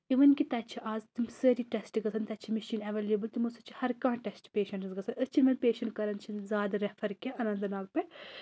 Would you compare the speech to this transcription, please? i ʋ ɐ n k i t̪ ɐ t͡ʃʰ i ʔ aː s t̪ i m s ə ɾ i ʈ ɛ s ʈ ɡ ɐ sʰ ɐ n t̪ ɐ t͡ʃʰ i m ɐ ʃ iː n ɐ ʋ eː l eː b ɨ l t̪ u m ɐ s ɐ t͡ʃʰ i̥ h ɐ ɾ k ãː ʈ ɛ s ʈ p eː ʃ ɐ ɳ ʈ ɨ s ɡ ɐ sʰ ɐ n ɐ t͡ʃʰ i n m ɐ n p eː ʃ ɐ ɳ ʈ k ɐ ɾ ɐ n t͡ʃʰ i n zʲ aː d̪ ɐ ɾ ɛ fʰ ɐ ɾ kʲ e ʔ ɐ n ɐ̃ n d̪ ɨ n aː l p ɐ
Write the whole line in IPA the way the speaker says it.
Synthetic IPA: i ʋ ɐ n k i t̪ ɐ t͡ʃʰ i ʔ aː z t̪ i m s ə ɾ i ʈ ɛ s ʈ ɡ ɐ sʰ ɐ n t̪ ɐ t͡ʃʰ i m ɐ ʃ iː n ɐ ʋ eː l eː b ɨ l t̪ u m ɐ s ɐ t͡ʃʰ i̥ h ɐ ɾ k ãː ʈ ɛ s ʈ p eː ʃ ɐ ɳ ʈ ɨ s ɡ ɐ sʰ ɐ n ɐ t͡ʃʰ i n m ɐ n p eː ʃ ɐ ɳ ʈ k ɐ ɾ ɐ n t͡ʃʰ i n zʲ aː d̪ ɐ ɾ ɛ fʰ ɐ ɾ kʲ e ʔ ɐ n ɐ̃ n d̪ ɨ n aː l p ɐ